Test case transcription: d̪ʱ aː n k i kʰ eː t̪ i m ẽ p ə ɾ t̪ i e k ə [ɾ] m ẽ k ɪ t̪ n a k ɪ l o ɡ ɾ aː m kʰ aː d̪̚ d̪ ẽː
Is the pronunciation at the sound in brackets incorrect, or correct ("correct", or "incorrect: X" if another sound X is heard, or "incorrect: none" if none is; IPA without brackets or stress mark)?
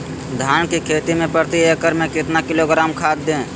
correct